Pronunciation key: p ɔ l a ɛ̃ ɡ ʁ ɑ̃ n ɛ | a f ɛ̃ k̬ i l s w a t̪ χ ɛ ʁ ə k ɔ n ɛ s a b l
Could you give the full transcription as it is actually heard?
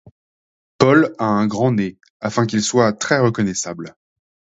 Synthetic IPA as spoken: p ɔ l a ɛ̃ ɡ ʁ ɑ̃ n e | a f ɛ̃ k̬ i l s w a t̪ χ ɛ ʁ ə k ɔ n ɛ s a b l